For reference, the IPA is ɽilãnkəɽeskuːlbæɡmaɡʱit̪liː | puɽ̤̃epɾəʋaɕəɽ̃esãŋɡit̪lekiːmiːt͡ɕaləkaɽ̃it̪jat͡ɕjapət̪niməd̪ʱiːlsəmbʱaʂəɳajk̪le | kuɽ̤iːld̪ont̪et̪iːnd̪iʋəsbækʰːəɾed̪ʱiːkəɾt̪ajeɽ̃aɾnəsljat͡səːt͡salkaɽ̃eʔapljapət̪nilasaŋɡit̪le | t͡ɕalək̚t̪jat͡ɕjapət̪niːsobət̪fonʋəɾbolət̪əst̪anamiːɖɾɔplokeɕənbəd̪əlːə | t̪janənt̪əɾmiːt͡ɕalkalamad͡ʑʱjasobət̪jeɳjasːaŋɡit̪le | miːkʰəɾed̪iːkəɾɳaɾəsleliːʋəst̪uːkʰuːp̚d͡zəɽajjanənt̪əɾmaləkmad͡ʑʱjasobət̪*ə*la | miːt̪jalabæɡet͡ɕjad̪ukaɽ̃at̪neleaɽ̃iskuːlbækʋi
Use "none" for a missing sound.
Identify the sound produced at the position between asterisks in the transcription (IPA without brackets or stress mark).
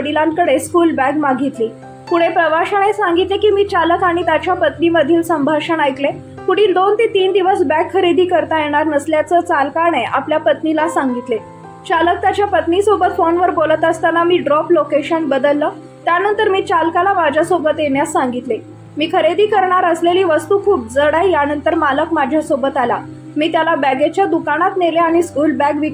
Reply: a